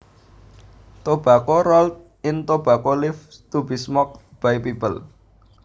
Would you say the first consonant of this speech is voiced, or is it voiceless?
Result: voiceless